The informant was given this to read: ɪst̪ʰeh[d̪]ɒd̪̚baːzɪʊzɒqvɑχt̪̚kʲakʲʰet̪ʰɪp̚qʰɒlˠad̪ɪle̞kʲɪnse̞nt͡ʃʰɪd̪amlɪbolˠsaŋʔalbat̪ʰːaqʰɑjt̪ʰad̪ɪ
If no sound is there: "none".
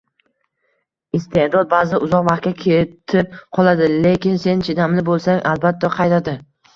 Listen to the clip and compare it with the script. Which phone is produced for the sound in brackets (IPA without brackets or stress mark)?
d̪